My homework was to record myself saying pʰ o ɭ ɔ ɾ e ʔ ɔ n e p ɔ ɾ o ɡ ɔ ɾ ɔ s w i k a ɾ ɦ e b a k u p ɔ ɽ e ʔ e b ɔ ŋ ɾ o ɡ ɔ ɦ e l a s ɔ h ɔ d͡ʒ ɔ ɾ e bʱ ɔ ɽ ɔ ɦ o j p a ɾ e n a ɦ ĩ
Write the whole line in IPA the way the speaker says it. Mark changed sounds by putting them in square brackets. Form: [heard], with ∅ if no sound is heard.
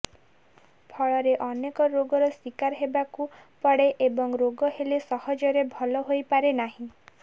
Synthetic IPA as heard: pʰ [ɔ] ɭ ɔ ɾ e ʔ ɔ n e [k] ɔ ɾ o ɡ ɔ ɾ ɔ s w i k a ɾ ɦ e b a k u p ɔ ɽ e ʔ e b ɔ ŋ ɾ o ɡ ɔ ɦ e l [e] s ɔ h ɔ d͡ʒ ɔ ɾ e bʱ ɔ [l] ɔ ɦ o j p a ɾ e n a ɦ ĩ